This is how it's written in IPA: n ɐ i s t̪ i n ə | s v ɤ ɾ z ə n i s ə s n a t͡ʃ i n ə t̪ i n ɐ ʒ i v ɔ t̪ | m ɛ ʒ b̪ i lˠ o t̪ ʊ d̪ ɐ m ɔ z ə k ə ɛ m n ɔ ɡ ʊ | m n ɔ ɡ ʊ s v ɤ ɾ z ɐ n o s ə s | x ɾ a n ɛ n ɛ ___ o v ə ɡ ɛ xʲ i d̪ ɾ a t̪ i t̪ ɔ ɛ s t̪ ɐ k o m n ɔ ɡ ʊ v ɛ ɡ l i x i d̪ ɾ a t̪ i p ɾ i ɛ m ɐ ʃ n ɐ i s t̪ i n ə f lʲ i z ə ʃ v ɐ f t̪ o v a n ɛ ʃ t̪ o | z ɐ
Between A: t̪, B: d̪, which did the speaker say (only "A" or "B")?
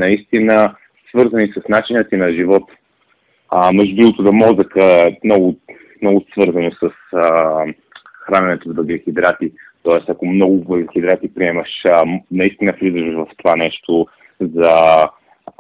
A